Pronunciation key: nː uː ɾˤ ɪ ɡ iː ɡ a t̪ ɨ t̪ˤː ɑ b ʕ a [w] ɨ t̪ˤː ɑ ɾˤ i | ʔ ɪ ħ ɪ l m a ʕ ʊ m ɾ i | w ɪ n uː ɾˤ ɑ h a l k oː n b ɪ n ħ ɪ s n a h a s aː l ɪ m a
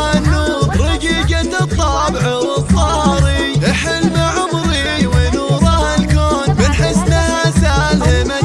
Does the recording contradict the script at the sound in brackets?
no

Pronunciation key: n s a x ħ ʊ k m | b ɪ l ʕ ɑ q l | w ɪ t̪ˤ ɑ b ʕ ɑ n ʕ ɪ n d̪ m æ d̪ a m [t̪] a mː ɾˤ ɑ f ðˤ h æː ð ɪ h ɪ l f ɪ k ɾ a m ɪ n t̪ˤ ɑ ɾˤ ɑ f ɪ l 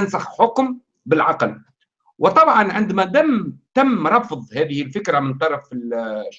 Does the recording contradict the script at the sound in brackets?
no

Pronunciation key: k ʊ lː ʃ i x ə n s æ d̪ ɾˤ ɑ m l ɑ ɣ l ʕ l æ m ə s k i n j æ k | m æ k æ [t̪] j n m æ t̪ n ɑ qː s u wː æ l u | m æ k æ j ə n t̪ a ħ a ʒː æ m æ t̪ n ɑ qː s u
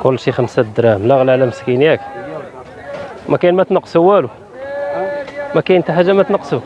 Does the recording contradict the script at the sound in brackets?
yes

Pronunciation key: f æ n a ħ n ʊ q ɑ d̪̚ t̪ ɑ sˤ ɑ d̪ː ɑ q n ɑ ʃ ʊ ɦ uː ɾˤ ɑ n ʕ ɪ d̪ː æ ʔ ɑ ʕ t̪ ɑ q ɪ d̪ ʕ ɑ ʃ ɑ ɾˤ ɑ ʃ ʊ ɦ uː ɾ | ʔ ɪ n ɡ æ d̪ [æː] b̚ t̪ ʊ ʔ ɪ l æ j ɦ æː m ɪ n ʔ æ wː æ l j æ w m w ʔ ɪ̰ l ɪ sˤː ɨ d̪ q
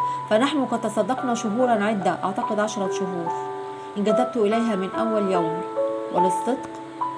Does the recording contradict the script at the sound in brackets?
yes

